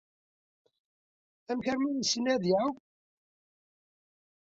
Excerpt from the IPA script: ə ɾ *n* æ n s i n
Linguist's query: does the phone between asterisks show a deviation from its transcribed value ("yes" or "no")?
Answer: yes